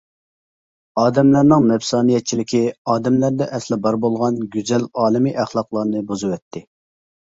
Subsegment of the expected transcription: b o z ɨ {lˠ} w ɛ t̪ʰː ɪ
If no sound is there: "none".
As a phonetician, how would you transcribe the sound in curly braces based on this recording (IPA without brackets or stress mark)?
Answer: none